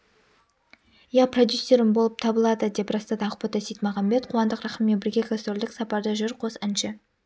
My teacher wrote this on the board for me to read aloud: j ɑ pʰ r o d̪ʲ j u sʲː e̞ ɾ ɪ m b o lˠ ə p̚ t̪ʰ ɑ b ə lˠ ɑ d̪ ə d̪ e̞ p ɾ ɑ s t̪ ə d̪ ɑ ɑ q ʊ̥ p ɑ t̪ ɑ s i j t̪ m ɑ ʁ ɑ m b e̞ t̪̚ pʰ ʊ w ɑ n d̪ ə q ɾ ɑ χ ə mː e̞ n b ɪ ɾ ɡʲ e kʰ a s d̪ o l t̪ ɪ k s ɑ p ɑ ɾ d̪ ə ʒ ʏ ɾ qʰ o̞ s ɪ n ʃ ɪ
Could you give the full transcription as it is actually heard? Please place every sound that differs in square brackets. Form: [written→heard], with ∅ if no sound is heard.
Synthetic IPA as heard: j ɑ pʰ r o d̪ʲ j u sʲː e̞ ɾ ɪ m b o lˠ ə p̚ t̪ʰ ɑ b ə lˠ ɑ d̪ ə d̪ e̞ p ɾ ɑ s t̪ [ə→ɑ] d̪ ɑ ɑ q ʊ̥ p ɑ t̪ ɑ s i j t̪ m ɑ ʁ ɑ m b e̞ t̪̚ [pʰ→qʰ] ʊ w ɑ n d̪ ə q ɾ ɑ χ ə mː e̞ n b ɪ ɾ ɡʲ e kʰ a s [d̪→t̪] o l [t̪→d̪] ɪ k s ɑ p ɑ ɾ d̪ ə ʒ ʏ ɾ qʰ o̞ s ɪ n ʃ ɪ